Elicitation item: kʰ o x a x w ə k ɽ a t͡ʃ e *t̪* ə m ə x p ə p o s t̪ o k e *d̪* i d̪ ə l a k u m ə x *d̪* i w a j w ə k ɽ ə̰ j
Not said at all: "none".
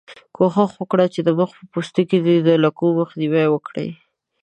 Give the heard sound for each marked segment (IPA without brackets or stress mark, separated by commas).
d̪, d̪, d̪